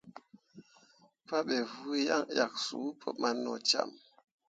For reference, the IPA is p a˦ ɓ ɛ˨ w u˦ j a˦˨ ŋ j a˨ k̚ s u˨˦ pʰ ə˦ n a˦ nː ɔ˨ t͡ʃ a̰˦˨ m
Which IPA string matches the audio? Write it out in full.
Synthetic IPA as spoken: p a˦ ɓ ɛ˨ v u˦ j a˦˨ ŋ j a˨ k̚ s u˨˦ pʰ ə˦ m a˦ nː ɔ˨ t͡ʃ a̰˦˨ m